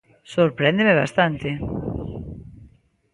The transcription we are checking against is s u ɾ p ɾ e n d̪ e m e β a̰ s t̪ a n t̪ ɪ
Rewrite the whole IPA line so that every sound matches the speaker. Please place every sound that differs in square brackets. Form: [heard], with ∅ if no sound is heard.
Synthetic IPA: s [o] ɾ p ɾ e n d̪ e m e β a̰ s t̪ a n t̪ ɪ